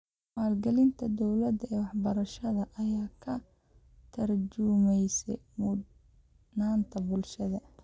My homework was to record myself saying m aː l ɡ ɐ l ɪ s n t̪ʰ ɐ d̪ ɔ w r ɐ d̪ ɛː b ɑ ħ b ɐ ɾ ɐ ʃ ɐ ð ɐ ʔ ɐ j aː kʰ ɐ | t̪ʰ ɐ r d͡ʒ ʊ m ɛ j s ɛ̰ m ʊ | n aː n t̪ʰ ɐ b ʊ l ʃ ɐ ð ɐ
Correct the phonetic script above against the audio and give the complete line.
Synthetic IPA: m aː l ɡ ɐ l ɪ n t̪ʰ ɐ d̪ ɔ w l ɐ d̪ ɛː w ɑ ħ b ɐ ɾ ɐ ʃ ɐ ð ɐ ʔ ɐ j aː kʰ ɐ | t̪ʰ ɐ r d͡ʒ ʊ m ɛ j s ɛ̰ m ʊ | n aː n t̪ʰ ɐ b ʊ l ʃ ɐ ð ɐ